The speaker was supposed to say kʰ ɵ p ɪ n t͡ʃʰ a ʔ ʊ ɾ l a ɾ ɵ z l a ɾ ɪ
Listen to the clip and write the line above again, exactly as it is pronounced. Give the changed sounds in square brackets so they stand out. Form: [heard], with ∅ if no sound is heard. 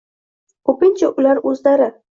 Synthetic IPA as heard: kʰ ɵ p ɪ n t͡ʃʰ a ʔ ʊ [∅] l a ɾ ɵ z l a ɾ ɪ